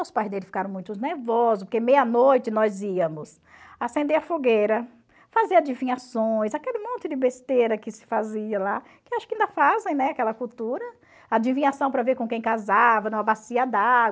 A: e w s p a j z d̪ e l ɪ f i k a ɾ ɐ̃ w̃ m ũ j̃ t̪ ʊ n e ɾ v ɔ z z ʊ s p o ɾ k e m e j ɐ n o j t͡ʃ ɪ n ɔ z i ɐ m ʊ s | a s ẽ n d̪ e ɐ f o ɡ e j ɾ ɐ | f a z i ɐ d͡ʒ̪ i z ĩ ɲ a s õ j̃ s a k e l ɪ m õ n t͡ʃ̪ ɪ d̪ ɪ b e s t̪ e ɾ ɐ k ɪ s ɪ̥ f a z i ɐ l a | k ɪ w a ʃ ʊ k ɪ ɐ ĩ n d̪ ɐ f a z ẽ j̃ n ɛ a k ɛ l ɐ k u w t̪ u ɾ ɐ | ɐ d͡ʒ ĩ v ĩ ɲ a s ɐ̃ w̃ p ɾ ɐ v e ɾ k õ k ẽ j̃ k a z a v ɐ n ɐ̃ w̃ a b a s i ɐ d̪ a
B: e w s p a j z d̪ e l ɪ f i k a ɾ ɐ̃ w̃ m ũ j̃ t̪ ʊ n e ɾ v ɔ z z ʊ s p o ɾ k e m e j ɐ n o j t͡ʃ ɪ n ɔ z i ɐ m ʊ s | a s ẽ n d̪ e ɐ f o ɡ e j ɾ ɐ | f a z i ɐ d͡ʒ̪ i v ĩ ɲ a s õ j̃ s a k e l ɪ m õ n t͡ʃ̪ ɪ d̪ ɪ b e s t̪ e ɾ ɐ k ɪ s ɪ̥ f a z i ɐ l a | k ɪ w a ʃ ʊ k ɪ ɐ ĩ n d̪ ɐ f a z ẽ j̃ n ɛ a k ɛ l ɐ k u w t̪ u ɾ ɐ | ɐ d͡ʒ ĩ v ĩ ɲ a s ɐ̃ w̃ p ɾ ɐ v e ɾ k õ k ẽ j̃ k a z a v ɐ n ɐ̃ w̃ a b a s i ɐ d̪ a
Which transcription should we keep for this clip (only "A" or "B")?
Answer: B